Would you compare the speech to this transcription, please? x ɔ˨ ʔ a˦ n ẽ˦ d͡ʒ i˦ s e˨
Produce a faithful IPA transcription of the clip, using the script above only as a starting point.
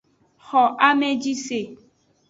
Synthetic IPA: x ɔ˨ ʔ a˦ m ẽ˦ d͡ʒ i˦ s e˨